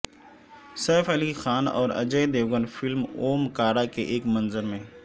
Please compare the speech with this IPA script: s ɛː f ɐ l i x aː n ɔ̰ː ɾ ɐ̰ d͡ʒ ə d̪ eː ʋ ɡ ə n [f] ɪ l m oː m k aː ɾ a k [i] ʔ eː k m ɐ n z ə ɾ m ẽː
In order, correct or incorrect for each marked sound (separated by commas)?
correct, incorrect